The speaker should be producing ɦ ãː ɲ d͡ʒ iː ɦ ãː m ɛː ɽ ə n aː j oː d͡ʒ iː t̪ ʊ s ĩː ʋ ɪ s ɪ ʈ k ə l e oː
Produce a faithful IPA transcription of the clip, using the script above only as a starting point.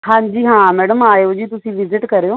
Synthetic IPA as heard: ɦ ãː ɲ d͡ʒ iː ɦ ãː m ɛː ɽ ə m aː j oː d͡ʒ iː t̪ ʊ s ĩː ʋ ɪ z ɪ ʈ k ə ɾ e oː